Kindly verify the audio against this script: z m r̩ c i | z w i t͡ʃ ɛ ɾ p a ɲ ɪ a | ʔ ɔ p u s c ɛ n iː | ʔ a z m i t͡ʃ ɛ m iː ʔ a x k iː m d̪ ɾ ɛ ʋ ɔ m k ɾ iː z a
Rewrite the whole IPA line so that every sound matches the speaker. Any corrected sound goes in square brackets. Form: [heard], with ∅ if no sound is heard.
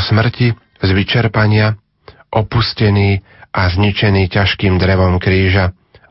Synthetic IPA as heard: [s] m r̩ c i | z [ʋ] i t͡ʃ ɛ ɾ p a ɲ ɪ a | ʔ ɔ p u s c ɛ n iː | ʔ a z [ɲ] i t͡ʃ ɛ [n] iː [c] a [ʃ] k iː m d̪ ɾ ɛ ʋ ɔ m k ɾ iː [ʒ] a